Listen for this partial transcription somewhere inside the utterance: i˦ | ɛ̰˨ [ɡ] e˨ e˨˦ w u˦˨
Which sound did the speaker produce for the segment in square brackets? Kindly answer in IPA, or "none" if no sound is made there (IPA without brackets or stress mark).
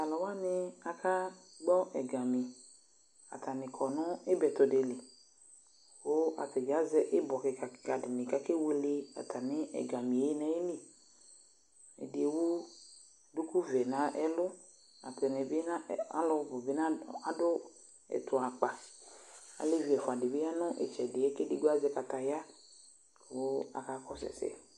d